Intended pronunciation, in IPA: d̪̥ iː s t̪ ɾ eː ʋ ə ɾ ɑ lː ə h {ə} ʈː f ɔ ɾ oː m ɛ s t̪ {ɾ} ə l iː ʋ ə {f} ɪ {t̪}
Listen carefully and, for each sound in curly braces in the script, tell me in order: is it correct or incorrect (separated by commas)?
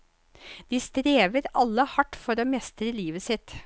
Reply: incorrect, correct, incorrect, correct